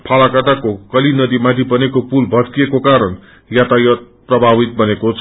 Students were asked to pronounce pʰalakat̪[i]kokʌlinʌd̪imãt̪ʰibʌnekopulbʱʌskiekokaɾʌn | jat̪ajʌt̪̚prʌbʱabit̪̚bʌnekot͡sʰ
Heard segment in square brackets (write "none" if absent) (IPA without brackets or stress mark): a